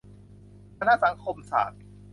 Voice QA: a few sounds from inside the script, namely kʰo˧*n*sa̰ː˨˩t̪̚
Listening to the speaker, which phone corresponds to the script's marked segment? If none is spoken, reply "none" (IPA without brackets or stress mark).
m